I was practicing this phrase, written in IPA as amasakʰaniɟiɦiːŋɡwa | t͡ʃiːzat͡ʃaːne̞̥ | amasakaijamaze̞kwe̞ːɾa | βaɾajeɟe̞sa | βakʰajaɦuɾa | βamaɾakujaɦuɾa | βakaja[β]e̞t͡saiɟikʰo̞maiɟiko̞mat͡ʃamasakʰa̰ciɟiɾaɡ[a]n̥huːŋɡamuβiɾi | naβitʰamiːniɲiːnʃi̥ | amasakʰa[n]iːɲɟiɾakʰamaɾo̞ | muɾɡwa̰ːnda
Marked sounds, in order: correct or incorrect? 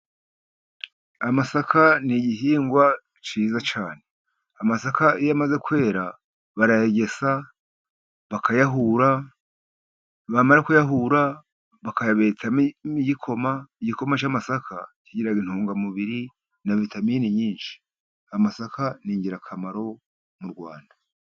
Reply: correct, incorrect: i, correct

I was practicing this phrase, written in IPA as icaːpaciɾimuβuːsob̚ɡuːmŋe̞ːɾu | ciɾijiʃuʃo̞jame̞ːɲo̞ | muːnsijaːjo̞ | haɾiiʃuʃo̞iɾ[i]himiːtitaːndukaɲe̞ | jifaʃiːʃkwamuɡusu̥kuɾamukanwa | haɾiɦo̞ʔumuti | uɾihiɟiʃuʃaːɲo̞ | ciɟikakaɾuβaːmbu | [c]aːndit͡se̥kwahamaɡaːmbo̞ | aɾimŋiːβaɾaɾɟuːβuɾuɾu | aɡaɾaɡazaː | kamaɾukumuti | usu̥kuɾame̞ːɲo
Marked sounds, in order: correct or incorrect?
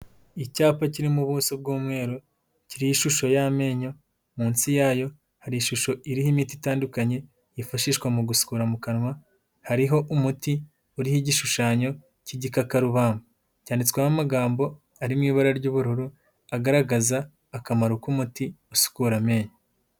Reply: correct, correct

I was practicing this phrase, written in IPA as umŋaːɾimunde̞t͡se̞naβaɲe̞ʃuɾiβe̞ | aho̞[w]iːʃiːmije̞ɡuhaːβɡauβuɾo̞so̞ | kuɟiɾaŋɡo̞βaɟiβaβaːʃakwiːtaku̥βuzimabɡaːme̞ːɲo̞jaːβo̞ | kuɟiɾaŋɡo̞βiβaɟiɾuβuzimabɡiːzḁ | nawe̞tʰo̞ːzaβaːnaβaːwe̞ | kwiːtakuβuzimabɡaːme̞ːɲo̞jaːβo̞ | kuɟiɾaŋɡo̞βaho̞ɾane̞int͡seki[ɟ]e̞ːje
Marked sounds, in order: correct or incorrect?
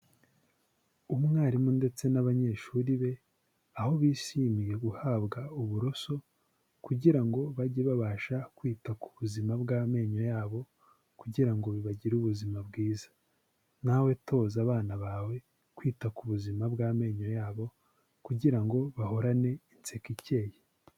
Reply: incorrect: β, incorrect: c

